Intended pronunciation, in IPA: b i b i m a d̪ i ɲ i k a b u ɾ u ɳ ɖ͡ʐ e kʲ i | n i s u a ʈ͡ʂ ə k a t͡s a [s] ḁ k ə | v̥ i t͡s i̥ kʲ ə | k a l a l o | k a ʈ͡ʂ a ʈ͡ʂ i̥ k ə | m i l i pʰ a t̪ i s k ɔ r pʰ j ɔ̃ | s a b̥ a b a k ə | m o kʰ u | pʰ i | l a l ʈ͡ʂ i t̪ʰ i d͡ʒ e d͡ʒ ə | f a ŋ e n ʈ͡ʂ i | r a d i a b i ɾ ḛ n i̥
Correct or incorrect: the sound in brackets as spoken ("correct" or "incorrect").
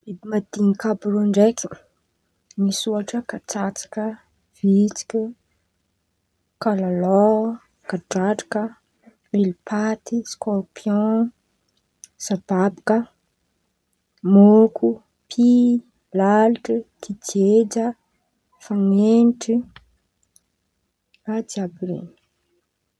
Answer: incorrect